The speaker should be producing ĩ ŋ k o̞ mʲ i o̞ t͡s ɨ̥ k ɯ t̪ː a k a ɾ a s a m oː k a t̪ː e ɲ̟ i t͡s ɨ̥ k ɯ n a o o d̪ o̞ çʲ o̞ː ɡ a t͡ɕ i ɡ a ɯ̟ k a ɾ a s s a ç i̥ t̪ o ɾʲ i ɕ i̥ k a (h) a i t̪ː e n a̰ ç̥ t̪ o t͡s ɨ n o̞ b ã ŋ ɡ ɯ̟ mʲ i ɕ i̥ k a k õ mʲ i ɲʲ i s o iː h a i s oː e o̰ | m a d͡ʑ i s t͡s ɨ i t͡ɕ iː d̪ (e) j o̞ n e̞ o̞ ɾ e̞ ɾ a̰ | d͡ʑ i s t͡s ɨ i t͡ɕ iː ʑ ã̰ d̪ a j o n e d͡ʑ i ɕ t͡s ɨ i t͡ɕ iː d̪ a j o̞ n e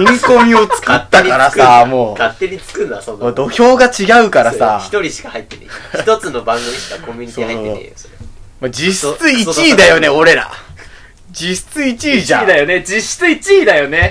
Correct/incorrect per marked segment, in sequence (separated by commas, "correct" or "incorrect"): correct, incorrect